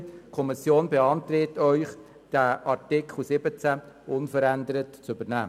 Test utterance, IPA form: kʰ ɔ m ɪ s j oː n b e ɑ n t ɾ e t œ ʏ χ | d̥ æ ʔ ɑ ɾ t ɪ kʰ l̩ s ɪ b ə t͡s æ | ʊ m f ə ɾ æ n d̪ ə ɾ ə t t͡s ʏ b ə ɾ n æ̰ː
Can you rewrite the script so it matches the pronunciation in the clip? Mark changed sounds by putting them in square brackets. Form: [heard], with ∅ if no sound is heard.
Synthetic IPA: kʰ ɔ m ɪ s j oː n b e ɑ n t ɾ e t œ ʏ χ | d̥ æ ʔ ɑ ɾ t ɪ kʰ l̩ s ɪ b ə t͡s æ | ʊ [n] f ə ɾ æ n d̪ ə ɾ ə t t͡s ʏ b ə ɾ n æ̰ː